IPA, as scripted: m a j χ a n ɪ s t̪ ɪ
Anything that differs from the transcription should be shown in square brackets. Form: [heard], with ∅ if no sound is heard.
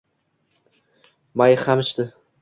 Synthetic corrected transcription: m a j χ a [m] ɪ [ʃ] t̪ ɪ